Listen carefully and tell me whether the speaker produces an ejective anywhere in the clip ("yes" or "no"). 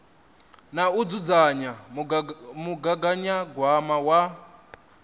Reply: no